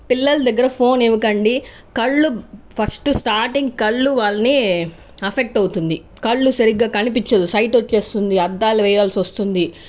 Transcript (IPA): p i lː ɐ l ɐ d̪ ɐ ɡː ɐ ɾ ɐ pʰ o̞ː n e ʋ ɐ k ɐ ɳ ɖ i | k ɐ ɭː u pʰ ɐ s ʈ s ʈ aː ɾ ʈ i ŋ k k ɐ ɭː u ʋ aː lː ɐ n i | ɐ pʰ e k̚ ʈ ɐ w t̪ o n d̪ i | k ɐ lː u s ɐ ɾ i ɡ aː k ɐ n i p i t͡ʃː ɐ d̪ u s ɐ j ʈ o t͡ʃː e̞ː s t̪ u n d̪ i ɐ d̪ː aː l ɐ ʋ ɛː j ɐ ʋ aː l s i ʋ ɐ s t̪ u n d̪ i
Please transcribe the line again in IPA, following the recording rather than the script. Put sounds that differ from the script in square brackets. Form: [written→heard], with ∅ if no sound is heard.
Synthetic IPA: p i lː ɐ l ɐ d̪ ɐ ɡː ɐ ɾ ɐ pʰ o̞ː n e ʋ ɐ k ɐ ɳ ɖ i | k ɐ ɭː u pʰ ɐ s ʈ s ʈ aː ɾ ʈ i ŋ [k→ɡ] k ɐ ɭː u ʋ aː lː ɐ n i | ɐ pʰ e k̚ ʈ ɐ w t̪ [o→u] n d̪ i | k ɐ [lː→ɭː] u s ɐ ɾ i ɡ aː k ɐ n i p i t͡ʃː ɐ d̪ u s ɐ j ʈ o t͡ʃː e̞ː s t̪ u n d̪ i ɐ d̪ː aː l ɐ ʋ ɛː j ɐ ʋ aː l s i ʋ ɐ s t̪ u n d̪ i

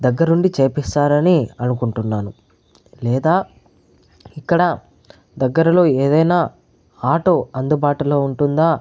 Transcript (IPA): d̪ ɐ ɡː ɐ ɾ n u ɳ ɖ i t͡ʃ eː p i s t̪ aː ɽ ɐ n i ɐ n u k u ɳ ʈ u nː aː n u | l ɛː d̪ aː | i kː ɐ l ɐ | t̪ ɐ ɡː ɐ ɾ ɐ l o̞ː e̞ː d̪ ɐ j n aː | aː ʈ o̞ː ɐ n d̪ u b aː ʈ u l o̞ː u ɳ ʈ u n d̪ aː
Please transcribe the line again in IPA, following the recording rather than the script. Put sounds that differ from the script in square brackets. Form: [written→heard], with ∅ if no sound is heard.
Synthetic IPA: d̪ ɐ ɡː ɐ ɾ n u ɳ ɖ i t͡ʃ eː p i s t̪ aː [ɽ→ɾ] ɐ n i ɐ n u k u ɳ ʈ u nː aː n u | l ɛː d̪ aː | i kː ɐ [l→ɽ] ɐ | [t̪→d̪] ɐ ɡː ɐ ɾ ɐ l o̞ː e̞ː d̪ ɐ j n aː | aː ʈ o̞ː ɐ n d̪ u b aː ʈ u l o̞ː u ɳ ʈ u n d̪ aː

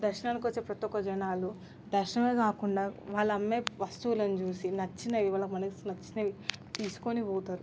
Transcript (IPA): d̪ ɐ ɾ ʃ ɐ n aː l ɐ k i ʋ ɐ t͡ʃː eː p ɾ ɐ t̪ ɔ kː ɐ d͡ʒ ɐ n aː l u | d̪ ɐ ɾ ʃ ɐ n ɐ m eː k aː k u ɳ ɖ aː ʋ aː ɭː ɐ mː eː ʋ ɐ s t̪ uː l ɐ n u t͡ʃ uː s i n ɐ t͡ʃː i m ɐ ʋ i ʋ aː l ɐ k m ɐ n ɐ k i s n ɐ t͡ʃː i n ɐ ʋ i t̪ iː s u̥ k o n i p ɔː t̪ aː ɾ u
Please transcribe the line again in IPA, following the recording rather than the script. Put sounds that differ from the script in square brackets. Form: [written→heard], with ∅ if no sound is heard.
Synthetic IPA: d̪ ɐ ɾ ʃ ɐ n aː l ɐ k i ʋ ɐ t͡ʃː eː p ɾ ɐ t̪ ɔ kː ɐ d͡ʒ ɐ n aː l u | d̪ ɐ ɾ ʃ ɐ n ɐ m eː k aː k u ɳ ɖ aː ʋ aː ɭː ɐ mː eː ʋ ɐ s t̪ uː l ɐ n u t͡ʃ uː s i n ɐ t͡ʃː i [m→n] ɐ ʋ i ʋ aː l ɐ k m ɐ n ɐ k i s n ɐ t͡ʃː i n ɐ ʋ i t̪ iː s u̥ k o n i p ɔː t̪ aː ɾ u

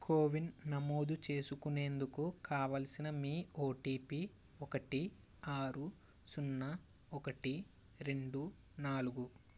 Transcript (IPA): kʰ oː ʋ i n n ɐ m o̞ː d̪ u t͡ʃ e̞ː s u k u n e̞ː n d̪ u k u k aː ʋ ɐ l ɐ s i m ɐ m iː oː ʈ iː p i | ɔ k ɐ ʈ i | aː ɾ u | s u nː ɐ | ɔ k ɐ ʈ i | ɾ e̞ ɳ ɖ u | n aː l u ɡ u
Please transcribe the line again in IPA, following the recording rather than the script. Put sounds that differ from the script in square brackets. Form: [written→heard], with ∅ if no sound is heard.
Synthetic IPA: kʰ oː ʋ i n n ɐ m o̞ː d̪ u t͡ʃ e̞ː s u k u n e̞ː n d̪ u k u k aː ʋ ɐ l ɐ s i [m→n] ɐ m iː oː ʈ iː p i | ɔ k ɐ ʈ i | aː ɾ u | s u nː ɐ | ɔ k ɐ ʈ i | ɾ e̞ ɳ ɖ u | n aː l u ɡ u

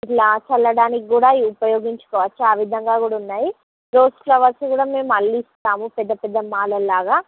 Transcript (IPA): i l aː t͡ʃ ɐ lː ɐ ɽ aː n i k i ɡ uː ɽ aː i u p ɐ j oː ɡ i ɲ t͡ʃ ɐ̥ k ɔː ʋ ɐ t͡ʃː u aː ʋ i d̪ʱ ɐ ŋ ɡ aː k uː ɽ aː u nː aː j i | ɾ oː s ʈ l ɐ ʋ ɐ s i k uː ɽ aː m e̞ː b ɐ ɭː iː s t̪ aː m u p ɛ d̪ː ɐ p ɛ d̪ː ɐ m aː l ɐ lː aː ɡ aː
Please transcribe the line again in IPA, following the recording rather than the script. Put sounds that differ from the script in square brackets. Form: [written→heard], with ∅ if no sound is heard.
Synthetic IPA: i l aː t͡ʃ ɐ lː ɐ ɽ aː n i k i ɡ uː ɽ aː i u p ɐ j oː ɡ i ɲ t͡ʃ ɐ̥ k ɔː ʋ ɐ t͡ʃː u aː ʋ i d̪ʱ ɐ ŋ ɡ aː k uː ɽ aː u nː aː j i | ɾ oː s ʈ l ɐ ʋ ɐ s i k uː ɽ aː m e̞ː [b→m] ɐ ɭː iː s t̪ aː m u p ɛ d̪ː ɐ p ɛ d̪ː ɐ m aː l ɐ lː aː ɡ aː

